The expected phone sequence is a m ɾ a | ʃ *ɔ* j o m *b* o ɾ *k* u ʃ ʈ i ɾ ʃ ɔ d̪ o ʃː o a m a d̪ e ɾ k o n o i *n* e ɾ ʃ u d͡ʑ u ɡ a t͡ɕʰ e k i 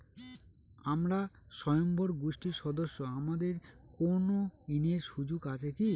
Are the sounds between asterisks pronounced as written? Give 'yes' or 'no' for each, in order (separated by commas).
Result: yes, yes, no, yes